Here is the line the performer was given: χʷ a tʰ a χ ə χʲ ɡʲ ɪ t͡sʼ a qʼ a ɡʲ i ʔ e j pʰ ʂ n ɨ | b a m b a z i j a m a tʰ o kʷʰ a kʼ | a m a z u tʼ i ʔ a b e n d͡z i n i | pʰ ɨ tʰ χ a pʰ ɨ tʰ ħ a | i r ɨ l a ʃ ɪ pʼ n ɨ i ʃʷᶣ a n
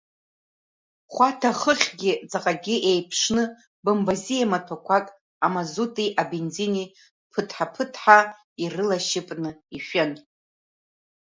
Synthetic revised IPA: χʷ a tʰ a χ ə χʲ ɡʲ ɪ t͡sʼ a qʼ a ɡʲ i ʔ e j pʰ ʂ n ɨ | b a m b a z i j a m a tʰ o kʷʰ a kʼ | a m a z u tʼ i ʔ a b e n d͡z i n i | pʰ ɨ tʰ ħ a pʰ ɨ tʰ ħ a | i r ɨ l a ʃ ɪ pʼ n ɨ i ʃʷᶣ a n